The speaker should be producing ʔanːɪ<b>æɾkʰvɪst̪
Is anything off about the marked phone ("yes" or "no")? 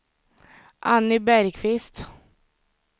no